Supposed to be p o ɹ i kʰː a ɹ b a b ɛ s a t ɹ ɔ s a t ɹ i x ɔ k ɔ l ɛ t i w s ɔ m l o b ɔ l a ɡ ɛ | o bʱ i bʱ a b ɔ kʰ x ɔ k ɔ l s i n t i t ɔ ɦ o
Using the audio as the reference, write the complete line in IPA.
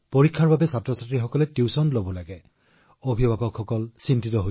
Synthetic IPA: p o ɹ i kʰː a ɹ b a b ɛ s a t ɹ ɔ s a t ɹ i x ɔ k ɔ l ɛ t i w s ɔ n l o b ɔ l a ɡ ɛ | o bʱ i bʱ a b ɔ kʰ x ɔ k ɔ l s i n t i t ɔ ɦ o